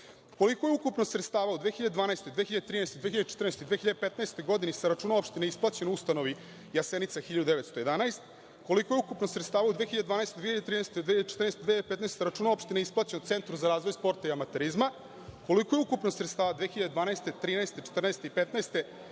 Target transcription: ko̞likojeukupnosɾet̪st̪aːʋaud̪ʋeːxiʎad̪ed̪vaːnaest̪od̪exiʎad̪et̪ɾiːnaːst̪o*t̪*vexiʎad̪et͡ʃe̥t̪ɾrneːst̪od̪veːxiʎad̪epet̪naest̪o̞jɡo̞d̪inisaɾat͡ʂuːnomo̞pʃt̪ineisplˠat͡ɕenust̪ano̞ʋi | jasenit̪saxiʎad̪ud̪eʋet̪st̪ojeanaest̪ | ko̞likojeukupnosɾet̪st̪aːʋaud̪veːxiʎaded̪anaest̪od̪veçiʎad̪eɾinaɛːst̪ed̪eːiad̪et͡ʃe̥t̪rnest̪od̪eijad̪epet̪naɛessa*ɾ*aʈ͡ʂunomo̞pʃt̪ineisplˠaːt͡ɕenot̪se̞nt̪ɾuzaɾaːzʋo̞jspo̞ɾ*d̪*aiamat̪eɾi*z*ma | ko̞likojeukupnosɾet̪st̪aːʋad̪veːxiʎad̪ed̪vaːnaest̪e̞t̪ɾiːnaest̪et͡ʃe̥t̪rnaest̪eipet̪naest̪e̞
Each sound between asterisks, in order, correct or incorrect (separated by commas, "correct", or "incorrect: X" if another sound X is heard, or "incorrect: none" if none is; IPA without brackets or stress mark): incorrect: d̪, correct, incorrect: t̪, correct